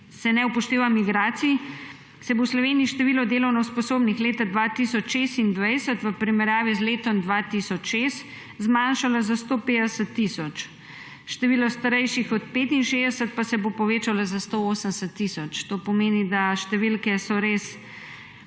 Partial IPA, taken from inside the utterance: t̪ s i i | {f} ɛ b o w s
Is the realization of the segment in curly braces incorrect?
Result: yes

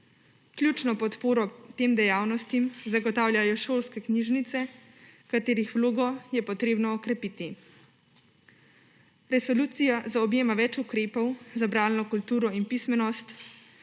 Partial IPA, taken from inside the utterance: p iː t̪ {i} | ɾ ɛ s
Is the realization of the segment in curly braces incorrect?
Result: no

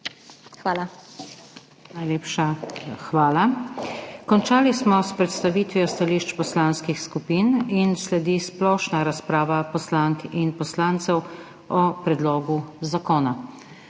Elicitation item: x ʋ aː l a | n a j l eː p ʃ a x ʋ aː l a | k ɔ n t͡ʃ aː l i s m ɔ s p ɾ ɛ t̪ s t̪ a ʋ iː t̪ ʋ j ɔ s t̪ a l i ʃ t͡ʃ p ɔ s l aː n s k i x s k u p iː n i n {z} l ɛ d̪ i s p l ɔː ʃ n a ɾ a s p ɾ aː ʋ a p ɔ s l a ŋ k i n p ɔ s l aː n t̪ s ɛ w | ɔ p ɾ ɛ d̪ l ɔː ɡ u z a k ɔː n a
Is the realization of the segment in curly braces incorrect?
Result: yes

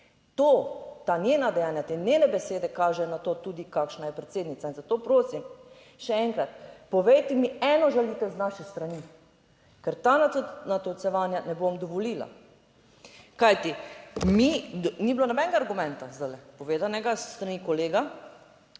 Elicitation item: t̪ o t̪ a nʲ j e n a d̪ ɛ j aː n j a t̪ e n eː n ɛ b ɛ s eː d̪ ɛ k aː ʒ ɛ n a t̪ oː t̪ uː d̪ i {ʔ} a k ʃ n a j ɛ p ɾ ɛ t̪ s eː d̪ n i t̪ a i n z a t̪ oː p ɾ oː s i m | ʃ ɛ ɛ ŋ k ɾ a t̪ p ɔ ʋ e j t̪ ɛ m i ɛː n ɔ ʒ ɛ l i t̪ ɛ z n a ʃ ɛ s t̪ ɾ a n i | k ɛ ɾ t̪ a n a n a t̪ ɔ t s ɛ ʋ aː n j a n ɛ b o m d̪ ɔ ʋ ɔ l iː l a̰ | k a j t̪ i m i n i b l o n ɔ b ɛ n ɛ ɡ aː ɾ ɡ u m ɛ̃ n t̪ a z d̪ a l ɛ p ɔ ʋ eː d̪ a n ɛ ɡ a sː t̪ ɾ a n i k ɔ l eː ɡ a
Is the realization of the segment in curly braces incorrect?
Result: yes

